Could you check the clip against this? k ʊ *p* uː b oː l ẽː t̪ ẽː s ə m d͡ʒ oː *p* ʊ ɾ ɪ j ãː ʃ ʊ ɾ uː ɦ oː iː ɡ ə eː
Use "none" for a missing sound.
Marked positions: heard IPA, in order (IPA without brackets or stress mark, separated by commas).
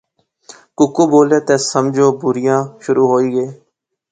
k, b